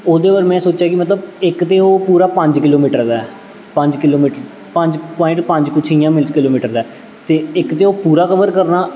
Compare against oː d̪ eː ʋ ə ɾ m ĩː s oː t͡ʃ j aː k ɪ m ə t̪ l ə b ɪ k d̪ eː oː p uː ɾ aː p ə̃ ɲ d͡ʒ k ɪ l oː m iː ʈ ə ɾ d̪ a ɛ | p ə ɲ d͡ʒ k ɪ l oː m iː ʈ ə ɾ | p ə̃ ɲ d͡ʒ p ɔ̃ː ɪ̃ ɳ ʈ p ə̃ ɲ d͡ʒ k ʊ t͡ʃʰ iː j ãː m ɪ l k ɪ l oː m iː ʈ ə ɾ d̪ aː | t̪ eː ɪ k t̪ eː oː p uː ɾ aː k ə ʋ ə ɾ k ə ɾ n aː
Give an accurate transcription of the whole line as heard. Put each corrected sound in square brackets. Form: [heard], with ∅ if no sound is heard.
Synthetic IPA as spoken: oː d̪ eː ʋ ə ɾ m [ɛ̃ː] s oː t͡ʃ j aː k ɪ m ə t̪ l ə b ɪ k [t̪] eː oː p uː ɾ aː p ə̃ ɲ d͡ʒ k ɪ l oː m iː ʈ ə ɾ d̪ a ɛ | p ə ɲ d͡ʒ k ɪ l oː m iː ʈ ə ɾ | p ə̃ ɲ d͡ʒ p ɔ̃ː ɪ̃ ɳ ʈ p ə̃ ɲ d͡ʒ k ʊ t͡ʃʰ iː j ãː m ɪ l k ɪ l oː m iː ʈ ə ɾ d̪ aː | t̪ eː ɪ k t̪ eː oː p uː ɾ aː k ə ʋ ə ɾ k ə ɾ n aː